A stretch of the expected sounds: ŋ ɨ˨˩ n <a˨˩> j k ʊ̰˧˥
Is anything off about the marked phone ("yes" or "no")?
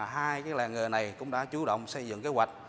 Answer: no